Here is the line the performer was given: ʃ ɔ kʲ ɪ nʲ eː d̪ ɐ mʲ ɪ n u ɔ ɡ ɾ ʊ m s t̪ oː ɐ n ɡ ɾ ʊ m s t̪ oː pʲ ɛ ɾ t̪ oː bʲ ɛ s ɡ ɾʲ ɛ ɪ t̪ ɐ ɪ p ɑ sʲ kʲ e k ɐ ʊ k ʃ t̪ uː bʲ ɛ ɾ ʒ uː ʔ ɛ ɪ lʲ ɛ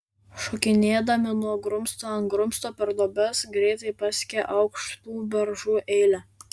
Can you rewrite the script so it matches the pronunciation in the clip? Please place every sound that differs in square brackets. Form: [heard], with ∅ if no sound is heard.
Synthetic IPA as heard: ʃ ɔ kʲ ɪ nʲ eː d̪ ɐ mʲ ɪ n u ɔ ɡ ɾ ʊ m s t̪ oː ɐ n ɡ ɾ ʊ m s t̪ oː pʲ ɛ ɾ [d̪] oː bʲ ɛ s ɡ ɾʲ ɛ ɪ t̪ ɐ ɪ p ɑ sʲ kʲ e [ʔ] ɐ ʊ k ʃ t̪ uː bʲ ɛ ɾ ʒ uː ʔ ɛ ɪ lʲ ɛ